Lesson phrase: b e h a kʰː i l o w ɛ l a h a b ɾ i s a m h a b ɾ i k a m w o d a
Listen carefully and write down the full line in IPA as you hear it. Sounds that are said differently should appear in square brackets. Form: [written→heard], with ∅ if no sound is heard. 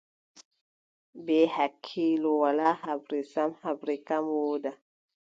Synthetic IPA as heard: b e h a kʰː i l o w [ɛ→a] l a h a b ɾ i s a m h a b ɾ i k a m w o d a